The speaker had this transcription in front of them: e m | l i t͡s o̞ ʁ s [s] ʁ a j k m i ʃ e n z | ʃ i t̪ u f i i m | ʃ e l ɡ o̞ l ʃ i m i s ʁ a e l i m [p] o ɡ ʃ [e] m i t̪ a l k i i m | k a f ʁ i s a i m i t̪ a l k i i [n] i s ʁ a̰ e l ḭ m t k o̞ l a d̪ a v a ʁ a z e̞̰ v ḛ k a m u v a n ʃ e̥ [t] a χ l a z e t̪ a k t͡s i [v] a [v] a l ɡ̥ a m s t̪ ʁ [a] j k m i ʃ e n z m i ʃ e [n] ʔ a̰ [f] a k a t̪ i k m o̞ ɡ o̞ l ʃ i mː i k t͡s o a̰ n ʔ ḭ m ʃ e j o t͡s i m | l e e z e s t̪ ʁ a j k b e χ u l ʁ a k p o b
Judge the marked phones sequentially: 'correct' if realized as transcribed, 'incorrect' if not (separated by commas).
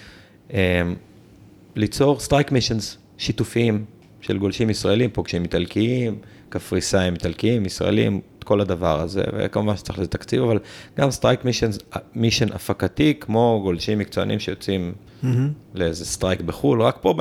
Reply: incorrect, correct, incorrect, incorrect, incorrect, correct, correct, correct, correct, correct